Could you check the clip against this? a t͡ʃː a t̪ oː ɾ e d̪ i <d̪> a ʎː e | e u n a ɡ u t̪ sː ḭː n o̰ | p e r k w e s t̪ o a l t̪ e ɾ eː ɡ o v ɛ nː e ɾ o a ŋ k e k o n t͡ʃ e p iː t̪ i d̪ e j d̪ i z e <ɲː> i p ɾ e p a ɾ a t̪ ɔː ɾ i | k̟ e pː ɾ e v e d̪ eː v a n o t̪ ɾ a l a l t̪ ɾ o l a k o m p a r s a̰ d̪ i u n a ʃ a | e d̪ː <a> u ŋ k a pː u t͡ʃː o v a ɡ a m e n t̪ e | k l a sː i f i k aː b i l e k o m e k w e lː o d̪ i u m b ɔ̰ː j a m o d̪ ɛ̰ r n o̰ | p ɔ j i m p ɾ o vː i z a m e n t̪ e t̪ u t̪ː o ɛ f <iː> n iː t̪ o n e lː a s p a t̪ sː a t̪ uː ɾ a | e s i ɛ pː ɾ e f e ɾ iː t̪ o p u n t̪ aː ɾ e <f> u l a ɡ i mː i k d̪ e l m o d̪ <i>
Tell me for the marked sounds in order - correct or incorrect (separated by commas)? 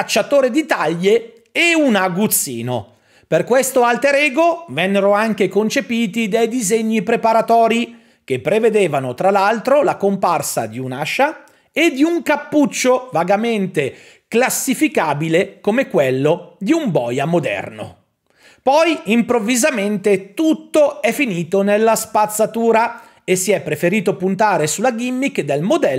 incorrect, correct, incorrect, incorrect, incorrect, incorrect